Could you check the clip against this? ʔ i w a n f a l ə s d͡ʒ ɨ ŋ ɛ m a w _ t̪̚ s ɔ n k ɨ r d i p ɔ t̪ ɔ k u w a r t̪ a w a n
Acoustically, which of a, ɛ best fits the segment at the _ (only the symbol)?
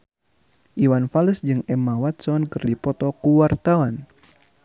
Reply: a